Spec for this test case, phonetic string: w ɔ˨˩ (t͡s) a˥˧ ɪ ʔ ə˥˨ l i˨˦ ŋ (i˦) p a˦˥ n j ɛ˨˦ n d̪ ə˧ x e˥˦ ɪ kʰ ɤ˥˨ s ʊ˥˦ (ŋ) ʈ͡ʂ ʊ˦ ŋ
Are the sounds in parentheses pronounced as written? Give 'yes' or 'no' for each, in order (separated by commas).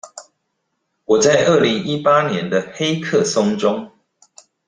yes, yes, yes